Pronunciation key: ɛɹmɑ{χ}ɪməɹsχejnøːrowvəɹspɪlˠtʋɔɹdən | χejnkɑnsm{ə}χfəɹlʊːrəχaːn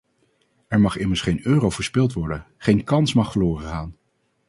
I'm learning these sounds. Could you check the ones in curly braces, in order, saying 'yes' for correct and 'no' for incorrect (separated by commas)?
yes, no